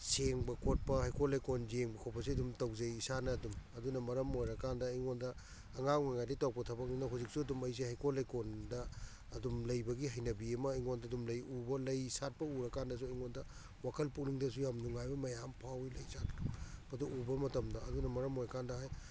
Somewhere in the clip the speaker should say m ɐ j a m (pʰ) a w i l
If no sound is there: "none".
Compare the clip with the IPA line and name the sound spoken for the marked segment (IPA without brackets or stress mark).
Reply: pʰ